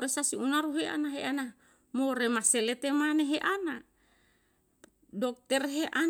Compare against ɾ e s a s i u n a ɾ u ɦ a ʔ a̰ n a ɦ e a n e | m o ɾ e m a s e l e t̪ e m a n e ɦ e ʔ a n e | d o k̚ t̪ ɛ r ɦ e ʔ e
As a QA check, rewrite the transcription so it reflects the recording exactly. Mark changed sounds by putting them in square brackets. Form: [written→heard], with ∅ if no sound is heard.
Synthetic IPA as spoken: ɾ e s a s i u n a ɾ u ɦ [a→e] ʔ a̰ n a ɦ e a n [e→a] | m o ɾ e m a s e l e t̪ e m a n e ɦ e ʔ a n [e→a] | d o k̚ t̪ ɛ r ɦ e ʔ [e→a]

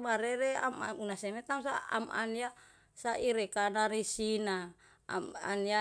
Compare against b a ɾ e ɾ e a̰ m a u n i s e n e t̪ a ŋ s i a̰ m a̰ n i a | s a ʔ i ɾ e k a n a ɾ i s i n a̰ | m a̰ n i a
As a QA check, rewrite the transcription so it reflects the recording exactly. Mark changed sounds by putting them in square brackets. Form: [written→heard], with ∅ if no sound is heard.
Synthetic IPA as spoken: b a ɾ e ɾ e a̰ m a u n [i→a] s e [n→m] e t̪ a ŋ s [i→a] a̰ m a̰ n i a | s a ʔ i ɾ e k a n a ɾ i s i n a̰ | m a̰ n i a

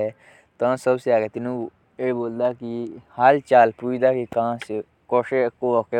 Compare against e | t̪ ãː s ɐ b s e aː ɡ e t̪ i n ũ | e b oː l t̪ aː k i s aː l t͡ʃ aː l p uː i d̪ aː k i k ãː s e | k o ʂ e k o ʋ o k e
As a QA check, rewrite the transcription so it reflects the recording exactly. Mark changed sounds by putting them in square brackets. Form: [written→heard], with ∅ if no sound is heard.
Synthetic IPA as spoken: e | t̪ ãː s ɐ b s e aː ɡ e t̪ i n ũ | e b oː l [t̪→d̪] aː k i [s→h] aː l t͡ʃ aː l p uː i d̪ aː k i k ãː s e | k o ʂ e k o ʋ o k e

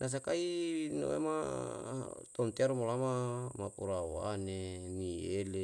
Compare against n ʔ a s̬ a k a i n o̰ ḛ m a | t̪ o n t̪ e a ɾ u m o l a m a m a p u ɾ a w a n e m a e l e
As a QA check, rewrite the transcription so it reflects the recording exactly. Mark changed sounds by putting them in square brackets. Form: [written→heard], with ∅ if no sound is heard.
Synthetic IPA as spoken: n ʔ a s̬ a k a i n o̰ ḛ m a | t̪ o n t̪ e a ɾ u m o l a m a m a p u ɾ a w a n e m [a→i] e l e

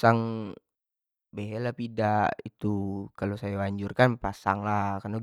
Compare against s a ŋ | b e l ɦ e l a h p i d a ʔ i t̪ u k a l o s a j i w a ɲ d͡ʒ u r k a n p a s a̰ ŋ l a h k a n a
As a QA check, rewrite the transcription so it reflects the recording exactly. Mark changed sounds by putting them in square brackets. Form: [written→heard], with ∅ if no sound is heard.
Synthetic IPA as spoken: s a ŋ | b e [l→∅] ɦ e l a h p i d a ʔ i t̪ u k a l o s a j [i→a] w a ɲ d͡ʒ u r k a n p a s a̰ ŋ l a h k a n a

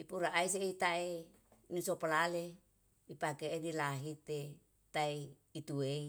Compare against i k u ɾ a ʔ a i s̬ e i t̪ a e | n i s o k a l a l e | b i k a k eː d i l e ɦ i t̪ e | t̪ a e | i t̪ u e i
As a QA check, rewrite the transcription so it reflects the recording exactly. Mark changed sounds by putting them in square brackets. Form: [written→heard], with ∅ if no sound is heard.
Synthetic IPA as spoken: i [k→p] u ɾ a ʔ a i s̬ e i t̪ a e | n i s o [k→p] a l a l e | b i [k→p] a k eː d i l [e→a] ɦ i t̪ e | t̪ a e | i t̪ u e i

